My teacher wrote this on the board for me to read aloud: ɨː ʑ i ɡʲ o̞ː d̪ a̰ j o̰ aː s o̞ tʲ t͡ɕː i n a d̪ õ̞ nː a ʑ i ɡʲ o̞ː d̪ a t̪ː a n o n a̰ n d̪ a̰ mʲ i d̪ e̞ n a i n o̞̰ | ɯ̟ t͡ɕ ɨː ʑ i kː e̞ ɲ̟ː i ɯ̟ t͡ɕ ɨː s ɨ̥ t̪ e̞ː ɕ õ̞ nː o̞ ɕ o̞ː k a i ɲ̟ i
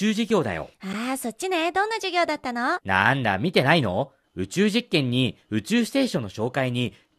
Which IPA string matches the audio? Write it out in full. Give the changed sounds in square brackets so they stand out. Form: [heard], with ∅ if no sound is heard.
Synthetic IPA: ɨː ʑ i ɡʲ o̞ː d̪ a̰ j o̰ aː s o̞ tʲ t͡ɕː i n [e] d̪ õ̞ nː a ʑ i ɡʲ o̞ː d̪ a t̪ː a n o n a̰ n d̪ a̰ mʲ i [t̪] e̞ n a i n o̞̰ | ɯ̟ t͡ɕ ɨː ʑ i kː [ẽ̞] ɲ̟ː i ɯ̟ t͡ɕ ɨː s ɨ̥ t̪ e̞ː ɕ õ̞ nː o̞ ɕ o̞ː k a i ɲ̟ i